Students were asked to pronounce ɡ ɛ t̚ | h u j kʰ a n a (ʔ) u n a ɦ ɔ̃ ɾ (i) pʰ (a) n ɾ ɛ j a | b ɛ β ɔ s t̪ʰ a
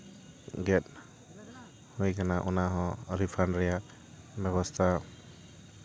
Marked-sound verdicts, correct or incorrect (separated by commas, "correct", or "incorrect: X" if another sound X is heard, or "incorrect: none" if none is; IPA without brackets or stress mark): correct, correct, correct